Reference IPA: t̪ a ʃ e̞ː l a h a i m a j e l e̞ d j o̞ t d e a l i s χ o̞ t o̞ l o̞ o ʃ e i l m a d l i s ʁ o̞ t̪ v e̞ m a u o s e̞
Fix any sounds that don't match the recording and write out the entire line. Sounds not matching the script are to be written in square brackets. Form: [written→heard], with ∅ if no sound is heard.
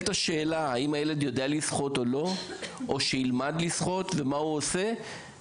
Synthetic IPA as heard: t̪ a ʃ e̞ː l a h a i m a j e l e̞ d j o̞ [t→∅] d e a l i s χ o̞ t o̞ l o̞ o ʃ e i l m a d l i s [ʁ→χ] o̞ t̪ v e̞ m a u o s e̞